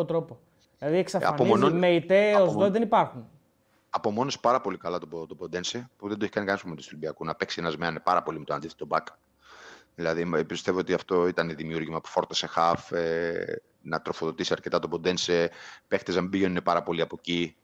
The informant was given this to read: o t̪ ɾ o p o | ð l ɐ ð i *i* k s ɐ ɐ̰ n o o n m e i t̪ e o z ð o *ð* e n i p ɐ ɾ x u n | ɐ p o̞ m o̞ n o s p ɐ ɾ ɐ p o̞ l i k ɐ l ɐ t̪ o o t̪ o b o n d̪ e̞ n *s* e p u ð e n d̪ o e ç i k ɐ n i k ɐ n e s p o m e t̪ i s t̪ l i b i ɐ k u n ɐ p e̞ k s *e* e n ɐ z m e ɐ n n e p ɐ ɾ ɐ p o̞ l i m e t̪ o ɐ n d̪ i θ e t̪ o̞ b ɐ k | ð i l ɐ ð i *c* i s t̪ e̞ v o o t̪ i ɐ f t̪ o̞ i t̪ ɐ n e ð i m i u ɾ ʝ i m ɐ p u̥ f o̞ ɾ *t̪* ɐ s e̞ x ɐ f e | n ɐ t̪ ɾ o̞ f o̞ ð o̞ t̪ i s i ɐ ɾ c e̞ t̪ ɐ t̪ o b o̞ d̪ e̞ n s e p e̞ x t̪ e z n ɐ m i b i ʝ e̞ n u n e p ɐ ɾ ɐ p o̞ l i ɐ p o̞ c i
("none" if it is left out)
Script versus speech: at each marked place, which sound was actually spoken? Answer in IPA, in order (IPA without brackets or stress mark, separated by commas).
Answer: e, ð, s, i, p, t̪